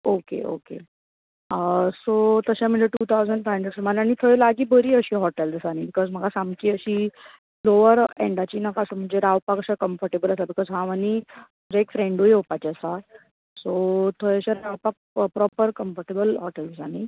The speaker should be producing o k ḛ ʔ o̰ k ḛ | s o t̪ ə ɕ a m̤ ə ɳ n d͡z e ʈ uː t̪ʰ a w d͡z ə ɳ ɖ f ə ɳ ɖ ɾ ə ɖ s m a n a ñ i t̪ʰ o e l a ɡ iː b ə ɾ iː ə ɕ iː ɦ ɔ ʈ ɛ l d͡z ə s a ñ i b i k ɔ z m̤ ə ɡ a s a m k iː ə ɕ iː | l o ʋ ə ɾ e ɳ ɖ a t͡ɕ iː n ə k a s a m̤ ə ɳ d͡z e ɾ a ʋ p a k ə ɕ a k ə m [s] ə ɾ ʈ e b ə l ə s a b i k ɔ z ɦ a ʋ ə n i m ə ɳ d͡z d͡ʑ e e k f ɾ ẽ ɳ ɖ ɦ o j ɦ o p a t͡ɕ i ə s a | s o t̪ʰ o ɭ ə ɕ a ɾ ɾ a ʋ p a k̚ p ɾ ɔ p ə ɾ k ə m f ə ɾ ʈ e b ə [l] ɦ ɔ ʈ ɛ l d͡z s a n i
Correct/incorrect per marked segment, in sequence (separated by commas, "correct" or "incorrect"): incorrect, correct